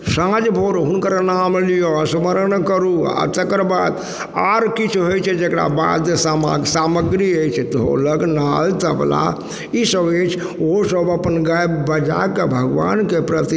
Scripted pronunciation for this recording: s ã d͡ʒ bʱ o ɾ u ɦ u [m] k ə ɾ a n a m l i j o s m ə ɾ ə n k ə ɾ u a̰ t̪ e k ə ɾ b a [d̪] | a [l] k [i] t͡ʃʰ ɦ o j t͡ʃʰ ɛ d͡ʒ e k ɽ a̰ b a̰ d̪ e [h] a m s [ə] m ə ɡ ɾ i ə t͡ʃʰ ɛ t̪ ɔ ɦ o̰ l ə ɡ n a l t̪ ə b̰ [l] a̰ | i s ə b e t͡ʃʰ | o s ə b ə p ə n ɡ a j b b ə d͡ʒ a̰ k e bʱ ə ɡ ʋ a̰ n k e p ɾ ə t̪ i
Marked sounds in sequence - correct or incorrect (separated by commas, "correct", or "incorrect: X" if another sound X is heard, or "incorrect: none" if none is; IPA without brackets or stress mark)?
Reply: incorrect: n, correct, incorrect: ɾ, correct, incorrect: s, incorrect: a, correct